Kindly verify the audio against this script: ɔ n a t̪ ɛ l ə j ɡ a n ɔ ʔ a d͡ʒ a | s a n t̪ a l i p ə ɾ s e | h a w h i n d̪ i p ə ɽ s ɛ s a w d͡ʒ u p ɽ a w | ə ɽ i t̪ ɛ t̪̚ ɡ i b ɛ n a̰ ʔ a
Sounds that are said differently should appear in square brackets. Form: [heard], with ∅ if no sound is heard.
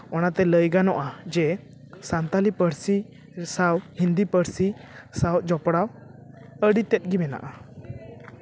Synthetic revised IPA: ɔ n a t̪ ɛ l ə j ɡ a n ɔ ʔ a d͡ʒ [ɛ] | s a n t̪ a l i p ə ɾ s [i] | [s] a w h i n d̪ i p ə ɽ s [i] s a w d͡ʒ [ɔ] p ɽ a w | ə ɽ i t̪ ɛ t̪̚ ɡ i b ɛ n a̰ ʔ a